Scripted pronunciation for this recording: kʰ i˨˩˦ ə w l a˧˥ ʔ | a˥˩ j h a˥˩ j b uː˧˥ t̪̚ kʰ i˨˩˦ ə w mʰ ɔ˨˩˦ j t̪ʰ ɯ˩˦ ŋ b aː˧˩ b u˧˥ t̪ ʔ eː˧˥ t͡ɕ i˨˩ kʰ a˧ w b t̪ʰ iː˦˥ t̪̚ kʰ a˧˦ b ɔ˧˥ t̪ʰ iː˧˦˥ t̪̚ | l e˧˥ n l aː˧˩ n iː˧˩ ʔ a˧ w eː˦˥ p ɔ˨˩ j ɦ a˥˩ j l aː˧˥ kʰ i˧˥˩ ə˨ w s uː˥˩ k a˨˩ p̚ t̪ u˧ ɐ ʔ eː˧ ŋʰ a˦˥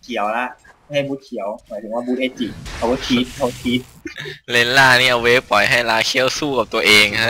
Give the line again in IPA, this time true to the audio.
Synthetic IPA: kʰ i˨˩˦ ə w l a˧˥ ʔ | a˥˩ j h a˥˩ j b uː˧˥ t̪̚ kʰ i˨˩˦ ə w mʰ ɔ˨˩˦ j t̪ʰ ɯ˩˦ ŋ w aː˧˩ b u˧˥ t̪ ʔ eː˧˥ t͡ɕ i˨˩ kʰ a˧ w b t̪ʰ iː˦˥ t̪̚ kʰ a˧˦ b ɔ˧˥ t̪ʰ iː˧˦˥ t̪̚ | l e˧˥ n l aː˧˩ n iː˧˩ ʔ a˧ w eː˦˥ p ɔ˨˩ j ɦ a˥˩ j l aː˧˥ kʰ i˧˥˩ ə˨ w s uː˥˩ k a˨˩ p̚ t̪ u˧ ɐ ʔ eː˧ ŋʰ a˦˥

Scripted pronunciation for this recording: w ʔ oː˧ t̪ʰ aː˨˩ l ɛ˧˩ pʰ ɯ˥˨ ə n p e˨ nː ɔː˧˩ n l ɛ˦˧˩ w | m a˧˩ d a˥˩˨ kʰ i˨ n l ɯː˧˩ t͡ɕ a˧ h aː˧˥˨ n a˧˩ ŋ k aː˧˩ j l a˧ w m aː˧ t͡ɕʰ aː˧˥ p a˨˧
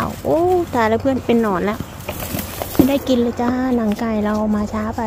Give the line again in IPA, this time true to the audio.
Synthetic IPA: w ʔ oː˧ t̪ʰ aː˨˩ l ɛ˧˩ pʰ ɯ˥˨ ə n p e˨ nː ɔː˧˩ n l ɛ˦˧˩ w | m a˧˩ d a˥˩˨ k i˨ n l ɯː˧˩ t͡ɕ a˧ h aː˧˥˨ n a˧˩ ŋ k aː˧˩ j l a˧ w m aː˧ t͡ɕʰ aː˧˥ p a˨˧

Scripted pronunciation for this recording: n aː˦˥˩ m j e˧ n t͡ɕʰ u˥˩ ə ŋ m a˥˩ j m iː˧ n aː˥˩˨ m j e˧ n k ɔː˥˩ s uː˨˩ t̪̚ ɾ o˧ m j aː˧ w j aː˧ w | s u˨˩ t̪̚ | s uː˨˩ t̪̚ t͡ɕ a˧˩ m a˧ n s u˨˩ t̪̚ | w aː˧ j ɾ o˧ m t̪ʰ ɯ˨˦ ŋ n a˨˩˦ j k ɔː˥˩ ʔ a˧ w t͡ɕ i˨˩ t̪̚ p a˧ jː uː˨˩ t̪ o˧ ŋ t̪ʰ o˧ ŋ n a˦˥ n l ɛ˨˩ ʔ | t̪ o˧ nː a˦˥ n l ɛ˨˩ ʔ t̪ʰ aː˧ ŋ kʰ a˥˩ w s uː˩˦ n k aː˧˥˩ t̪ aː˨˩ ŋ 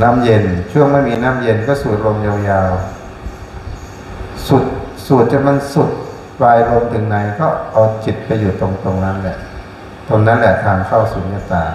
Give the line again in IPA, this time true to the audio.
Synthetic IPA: n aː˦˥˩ m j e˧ n t͡ɕʰ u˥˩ ə ŋ m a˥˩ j m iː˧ n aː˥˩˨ m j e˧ n k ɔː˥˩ s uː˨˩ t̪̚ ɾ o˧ m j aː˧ w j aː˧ w | s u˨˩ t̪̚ | s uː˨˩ t̪̚ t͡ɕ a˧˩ m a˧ n s u˨˩ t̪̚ | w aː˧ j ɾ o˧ m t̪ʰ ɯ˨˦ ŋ n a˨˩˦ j k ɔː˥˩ ʔ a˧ w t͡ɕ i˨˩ t̪̚ p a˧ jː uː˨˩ t̪ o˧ ŋ t̪ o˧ ŋ n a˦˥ n l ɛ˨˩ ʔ | t̪ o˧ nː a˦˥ n l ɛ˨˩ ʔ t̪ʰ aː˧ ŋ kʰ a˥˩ w s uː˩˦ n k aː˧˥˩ t̪ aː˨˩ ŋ

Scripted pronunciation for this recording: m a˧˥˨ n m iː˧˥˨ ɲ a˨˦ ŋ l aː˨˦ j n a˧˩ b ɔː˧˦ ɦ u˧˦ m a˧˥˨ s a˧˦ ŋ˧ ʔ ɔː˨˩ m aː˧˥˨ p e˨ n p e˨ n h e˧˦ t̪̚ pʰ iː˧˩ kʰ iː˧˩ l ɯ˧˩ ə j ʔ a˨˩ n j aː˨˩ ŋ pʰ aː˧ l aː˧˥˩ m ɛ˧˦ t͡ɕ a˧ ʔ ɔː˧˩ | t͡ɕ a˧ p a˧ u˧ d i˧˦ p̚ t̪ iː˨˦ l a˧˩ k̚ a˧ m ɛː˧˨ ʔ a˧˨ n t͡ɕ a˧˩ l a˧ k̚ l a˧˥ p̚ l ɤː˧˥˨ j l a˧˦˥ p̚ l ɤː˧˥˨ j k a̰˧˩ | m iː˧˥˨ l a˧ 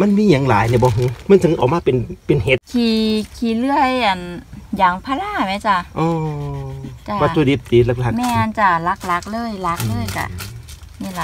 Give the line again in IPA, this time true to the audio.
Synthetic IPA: m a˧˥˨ n m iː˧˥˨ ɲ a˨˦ ŋ l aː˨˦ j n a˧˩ b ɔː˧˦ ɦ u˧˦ m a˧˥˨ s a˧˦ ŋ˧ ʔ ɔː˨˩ m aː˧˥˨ p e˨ n p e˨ n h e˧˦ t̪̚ kʰ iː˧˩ kʰ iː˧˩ l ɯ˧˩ ə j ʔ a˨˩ n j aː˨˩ ŋ pʰ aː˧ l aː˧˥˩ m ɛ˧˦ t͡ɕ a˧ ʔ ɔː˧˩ | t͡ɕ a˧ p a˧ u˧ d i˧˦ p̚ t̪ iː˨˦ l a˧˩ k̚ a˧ m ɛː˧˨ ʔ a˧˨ n t͡ɕ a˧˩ l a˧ k̚ l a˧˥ k̚ l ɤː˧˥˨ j l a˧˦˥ k̚ l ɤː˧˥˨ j k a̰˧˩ | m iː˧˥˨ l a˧

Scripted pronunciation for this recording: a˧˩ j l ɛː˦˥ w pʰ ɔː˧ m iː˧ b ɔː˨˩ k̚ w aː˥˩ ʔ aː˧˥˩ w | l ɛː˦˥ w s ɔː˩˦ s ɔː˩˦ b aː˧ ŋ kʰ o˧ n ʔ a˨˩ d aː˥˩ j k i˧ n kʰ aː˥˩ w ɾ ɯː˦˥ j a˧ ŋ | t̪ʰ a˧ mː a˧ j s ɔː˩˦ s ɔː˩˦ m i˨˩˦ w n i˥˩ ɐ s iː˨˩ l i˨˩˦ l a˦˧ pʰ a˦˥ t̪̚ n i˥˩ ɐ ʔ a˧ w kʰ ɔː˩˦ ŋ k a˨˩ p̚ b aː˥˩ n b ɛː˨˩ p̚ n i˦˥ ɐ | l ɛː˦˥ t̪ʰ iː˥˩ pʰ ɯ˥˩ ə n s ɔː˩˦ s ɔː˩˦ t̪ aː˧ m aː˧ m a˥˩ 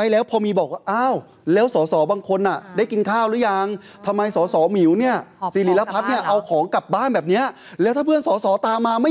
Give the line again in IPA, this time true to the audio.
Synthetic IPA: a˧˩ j l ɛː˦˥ w pʰ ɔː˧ m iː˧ b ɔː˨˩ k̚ w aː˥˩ ʔ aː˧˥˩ w | l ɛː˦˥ w s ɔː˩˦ s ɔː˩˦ b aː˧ ŋ kʰ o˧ n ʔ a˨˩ d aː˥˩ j k i˧ n kʰ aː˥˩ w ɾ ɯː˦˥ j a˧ ŋ | t̪ʰ a˧ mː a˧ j s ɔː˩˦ s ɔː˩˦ m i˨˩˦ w n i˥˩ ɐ s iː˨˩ l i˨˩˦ l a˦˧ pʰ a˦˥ t̪̚ n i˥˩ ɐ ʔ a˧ w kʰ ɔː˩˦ ŋ k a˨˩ p̚ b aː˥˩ n b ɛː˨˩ p̚ n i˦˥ ɐ | l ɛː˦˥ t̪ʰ aː˥˩ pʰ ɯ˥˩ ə n s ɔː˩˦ s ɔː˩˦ t̪ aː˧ m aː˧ m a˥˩

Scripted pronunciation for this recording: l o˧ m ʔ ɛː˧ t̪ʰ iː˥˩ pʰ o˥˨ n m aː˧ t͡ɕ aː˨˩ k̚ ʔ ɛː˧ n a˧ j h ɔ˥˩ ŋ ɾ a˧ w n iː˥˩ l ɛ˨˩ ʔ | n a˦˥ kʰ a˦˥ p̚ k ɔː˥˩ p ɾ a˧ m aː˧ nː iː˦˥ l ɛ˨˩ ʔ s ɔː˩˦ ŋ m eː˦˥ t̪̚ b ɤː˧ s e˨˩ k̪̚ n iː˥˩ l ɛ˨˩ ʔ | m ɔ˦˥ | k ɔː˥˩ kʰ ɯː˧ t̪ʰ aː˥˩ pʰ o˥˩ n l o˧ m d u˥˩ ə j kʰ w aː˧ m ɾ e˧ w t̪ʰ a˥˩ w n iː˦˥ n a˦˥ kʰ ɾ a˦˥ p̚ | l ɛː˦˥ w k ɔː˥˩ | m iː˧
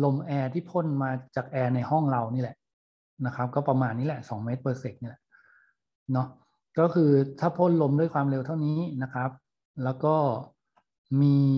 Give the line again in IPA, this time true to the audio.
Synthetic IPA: l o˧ m ʔ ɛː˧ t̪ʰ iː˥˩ pʰ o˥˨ n m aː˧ t͡ɕ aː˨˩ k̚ ʔ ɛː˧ n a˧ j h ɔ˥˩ ŋ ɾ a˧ w n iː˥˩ l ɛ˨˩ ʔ | n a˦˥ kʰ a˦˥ p̚ k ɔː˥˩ p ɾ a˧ m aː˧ nː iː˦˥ l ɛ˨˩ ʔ s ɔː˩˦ ŋ m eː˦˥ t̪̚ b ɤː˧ s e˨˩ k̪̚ n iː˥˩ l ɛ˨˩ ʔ | n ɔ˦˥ | k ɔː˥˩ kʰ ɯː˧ t̪ʰ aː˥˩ pʰ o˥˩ n l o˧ m d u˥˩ ə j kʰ w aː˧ m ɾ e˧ w t̪ʰ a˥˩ w n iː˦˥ n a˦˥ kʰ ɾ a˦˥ p̚ | l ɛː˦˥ w k ɔː˥˩ | m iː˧

